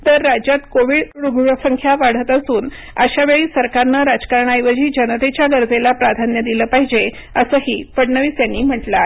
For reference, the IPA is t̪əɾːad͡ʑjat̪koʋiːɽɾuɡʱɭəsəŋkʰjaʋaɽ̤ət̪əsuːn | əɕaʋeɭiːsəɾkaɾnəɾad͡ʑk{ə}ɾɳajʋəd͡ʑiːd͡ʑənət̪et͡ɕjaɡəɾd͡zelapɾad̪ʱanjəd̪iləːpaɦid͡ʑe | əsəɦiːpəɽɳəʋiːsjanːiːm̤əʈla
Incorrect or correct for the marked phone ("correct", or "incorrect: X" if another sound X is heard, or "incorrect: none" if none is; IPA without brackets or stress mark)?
incorrect: a